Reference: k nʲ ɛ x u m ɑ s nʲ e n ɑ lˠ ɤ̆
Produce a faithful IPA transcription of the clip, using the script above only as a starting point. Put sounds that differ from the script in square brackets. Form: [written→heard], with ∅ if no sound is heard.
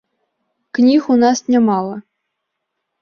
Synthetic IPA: k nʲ [ɛ→i] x u [m→n] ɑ s nʲ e [n→m] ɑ lˠ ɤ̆